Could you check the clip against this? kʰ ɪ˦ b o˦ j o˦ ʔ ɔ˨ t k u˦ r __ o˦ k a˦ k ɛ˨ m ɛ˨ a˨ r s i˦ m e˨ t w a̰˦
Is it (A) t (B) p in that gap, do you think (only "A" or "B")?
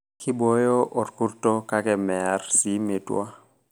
A